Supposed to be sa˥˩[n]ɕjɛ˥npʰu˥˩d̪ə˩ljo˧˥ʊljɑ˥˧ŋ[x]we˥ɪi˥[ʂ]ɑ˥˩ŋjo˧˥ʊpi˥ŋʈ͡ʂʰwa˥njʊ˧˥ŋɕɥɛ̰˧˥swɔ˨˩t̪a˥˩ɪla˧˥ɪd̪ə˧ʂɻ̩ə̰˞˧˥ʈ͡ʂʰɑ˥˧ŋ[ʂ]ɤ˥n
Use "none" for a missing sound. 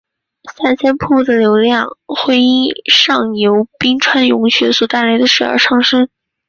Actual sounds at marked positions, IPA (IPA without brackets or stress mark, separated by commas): n, x, ʂ, ʂ